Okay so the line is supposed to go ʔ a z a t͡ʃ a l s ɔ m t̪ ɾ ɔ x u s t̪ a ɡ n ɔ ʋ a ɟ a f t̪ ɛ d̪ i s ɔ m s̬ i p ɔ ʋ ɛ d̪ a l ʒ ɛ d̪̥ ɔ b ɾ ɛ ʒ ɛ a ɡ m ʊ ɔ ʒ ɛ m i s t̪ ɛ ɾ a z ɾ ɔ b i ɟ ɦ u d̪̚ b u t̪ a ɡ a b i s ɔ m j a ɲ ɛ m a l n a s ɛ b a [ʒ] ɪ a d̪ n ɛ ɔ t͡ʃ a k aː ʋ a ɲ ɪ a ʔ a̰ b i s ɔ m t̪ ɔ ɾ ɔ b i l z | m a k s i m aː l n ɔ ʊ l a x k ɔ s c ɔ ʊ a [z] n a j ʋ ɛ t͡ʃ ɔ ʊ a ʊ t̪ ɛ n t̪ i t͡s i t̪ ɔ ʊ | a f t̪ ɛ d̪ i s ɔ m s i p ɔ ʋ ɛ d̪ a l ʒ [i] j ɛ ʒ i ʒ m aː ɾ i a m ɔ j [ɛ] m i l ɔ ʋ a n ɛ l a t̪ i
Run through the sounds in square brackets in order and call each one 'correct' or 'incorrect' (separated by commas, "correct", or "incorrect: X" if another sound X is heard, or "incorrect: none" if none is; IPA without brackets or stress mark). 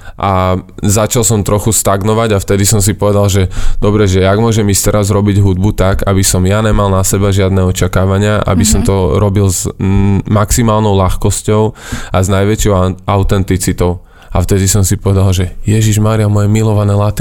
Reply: correct, correct, incorrect: ɛ, correct